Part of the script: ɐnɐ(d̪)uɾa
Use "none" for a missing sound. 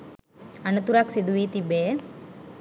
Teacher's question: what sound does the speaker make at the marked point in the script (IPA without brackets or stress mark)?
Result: t̪